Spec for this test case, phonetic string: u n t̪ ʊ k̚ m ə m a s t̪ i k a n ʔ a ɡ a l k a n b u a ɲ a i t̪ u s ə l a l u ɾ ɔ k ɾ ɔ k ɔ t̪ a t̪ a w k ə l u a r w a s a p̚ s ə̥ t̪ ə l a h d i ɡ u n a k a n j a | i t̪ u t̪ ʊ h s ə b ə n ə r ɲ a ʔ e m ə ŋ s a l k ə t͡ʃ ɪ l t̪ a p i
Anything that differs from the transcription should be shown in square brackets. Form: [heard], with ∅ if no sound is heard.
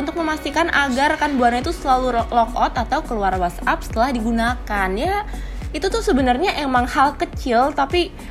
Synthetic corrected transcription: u n t̪ ʊ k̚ m ə m a s t̪ i k a n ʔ a ɡ a [r] k a n b u a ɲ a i t̪ u s ə l a l u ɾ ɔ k [l] ɔ k ɔ t̪ a t̪ a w k ə l u a r w a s a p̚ s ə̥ t̪ ə l a h d i ɡ u n a k a n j a | i t̪ u t̪ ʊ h s ə b ə n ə r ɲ a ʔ e m [a] ŋ [h] a l k ə t͡ʃ ɪ l t̪ a p i